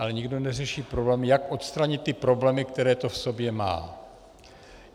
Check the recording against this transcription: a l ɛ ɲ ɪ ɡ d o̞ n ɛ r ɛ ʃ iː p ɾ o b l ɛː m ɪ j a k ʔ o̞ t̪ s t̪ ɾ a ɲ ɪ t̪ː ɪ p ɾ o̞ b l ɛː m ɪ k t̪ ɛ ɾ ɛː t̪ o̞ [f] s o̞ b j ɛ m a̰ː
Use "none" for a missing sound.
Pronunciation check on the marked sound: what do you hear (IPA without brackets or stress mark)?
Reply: f